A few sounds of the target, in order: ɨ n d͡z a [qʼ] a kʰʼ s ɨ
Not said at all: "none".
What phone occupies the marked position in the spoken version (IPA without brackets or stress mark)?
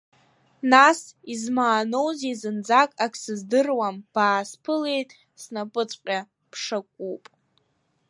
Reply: kʼ